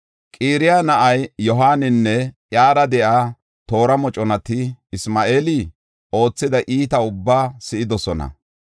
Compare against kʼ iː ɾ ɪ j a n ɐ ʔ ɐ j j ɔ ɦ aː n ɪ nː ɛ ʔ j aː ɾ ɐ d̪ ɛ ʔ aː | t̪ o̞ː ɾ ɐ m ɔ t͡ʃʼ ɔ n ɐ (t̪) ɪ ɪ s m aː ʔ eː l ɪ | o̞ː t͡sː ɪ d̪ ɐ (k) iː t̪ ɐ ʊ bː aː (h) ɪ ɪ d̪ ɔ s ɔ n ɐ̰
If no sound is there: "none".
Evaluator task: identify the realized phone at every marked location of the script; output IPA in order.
t̪, ʔ, s

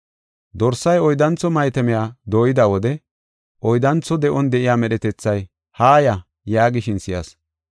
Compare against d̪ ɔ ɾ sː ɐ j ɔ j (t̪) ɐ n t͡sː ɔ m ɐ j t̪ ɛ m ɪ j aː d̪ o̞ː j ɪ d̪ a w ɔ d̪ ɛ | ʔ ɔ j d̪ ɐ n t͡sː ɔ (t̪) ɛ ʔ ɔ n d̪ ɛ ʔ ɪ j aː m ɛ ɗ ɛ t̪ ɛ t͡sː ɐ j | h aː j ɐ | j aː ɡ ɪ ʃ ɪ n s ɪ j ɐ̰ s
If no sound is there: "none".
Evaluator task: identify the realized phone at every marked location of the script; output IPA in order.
d̪, d̪

